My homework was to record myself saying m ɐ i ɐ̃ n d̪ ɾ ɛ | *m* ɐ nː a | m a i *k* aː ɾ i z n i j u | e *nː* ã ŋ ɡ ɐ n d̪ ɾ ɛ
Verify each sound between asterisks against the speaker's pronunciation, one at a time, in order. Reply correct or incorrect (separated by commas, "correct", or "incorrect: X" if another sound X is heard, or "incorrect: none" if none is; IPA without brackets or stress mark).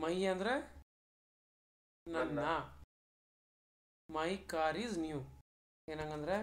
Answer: incorrect: n, correct, incorrect: n